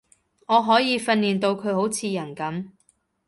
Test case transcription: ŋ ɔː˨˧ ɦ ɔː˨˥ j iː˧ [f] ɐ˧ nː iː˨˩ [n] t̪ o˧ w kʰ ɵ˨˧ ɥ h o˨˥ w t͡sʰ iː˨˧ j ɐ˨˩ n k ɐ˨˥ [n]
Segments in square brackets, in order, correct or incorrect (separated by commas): correct, correct, incorrect